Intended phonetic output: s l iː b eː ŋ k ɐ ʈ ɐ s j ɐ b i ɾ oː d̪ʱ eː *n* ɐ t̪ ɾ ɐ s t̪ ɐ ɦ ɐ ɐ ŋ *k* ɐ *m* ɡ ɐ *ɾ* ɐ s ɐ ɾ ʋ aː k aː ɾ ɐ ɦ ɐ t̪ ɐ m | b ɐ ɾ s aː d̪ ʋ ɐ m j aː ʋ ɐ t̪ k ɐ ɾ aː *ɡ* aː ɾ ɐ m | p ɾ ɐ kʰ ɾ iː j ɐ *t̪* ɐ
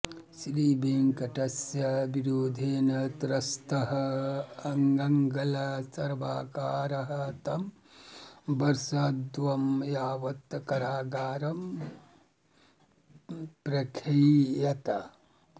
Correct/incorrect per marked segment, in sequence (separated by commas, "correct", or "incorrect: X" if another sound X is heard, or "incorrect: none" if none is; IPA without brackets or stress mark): correct, incorrect: ɡ, incorrect: ŋ, incorrect: l, correct, correct